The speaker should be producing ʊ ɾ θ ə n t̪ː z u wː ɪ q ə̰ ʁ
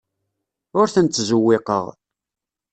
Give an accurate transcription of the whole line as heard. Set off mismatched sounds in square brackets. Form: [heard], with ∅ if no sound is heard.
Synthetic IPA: ʊ ɾ θ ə n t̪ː z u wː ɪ q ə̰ ʁ